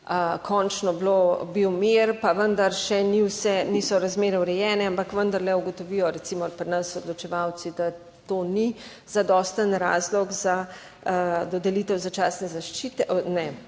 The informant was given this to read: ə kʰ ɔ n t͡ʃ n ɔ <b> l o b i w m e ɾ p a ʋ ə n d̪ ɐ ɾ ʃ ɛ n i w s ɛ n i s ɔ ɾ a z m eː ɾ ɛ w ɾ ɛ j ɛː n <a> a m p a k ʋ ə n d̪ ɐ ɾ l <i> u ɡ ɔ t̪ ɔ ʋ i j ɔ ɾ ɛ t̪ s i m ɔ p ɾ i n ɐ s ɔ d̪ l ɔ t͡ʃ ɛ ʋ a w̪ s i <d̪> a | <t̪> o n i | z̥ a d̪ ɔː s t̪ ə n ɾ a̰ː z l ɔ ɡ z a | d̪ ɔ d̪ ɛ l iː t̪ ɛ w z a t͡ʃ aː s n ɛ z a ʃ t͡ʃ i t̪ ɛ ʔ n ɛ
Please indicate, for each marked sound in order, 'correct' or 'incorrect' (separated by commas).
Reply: correct, incorrect, incorrect, correct, correct